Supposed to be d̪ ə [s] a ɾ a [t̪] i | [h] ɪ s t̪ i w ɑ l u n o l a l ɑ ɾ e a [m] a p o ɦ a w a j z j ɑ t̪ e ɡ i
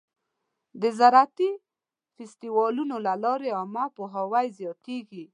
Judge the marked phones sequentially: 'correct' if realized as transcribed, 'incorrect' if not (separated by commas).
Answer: incorrect, correct, incorrect, correct